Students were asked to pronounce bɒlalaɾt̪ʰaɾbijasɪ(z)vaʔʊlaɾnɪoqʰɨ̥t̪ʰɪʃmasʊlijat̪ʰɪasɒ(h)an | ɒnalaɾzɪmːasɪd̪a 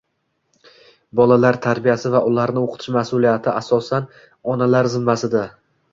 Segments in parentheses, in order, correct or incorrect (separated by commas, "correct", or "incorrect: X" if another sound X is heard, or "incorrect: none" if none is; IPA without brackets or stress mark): incorrect: none, incorrect: s